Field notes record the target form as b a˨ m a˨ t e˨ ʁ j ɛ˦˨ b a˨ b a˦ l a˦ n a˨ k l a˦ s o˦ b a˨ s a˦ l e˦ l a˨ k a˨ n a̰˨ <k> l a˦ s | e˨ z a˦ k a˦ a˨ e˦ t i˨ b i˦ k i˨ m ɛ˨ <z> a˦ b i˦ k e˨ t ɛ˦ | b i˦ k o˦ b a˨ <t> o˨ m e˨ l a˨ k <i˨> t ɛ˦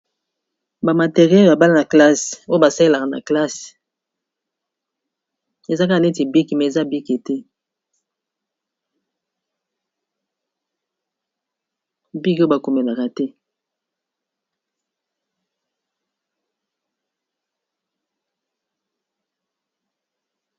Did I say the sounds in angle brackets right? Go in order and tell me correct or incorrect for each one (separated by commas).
correct, correct, incorrect, incorrect